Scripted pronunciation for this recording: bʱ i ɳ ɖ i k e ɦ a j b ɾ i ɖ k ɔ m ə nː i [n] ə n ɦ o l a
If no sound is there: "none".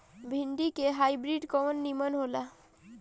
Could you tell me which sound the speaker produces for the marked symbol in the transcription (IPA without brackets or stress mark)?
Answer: m